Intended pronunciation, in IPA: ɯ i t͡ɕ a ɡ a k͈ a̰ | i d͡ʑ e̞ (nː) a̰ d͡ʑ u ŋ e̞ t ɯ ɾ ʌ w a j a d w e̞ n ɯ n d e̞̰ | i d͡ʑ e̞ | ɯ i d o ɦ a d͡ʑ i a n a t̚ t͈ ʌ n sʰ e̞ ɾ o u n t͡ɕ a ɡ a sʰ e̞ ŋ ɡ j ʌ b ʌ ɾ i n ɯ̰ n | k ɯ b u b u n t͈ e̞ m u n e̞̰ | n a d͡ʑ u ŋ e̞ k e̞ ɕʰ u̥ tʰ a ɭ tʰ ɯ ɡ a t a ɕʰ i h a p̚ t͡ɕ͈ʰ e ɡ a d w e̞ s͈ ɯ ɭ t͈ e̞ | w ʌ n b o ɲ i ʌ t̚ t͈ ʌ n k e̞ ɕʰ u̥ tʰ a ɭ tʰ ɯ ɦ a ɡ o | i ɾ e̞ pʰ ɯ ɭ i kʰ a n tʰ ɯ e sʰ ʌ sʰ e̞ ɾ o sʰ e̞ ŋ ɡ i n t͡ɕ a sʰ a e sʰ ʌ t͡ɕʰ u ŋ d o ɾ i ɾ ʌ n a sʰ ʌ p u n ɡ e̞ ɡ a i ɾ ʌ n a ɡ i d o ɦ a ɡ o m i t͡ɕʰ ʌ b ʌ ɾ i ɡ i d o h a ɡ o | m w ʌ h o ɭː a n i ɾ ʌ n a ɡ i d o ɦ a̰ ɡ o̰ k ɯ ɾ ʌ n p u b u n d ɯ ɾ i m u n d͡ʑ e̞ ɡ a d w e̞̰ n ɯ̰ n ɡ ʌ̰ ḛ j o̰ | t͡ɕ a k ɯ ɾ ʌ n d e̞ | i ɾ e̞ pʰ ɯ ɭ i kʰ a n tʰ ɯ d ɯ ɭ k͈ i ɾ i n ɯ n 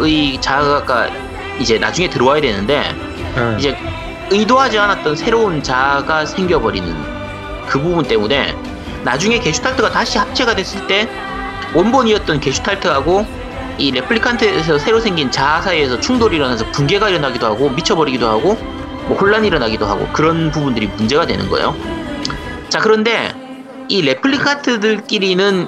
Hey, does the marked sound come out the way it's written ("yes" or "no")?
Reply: no